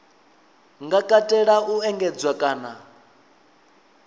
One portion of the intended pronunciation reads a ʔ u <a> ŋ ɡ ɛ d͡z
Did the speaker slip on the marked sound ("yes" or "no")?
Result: yes